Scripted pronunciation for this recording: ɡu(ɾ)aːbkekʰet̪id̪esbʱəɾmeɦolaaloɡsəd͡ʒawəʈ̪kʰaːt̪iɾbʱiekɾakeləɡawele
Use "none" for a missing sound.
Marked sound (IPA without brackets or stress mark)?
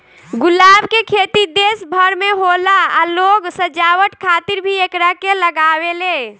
l